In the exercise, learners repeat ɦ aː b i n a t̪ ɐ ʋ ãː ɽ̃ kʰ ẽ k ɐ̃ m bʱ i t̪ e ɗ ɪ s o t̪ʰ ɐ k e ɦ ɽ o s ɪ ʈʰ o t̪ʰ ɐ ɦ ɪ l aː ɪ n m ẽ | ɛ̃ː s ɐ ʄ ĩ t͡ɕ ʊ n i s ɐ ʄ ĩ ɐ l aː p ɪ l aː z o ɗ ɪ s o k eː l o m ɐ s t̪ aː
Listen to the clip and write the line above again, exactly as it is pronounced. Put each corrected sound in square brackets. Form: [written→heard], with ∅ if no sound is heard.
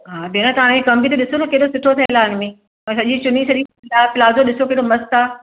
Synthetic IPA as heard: ɦ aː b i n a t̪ ɐ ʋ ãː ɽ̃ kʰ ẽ k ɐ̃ m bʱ i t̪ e ɗ ɪ s o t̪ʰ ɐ k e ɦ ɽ o s ɪ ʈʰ o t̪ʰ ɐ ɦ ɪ l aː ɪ n m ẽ | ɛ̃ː s ɐ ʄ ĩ t͡ɕ ʊ n i s ɐ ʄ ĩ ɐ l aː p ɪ l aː z o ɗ ɪ s o k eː [l→ɽ] o m ɐ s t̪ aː